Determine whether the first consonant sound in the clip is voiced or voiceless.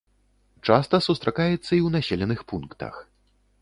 voiceless